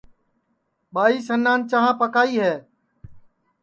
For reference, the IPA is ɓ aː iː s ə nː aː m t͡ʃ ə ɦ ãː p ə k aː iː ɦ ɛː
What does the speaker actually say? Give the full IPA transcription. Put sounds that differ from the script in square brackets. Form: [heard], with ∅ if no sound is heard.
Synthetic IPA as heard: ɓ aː iː s ə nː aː [n] t͡ʃ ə ɦ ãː p ə k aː iː ɦ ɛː